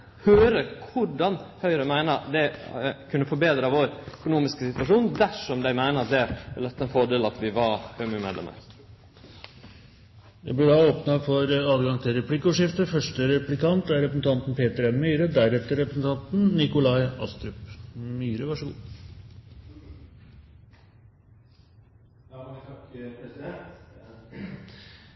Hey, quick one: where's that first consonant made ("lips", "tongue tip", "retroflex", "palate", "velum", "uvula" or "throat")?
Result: throat